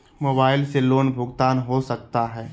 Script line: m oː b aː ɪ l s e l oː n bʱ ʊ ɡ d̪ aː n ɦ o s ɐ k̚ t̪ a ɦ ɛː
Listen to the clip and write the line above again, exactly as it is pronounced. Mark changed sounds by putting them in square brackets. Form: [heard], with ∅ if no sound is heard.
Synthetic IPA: m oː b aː ɪ l s e l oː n bʱ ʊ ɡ [t̪] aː n ɦ o s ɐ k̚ t̪ a ɦ ɛː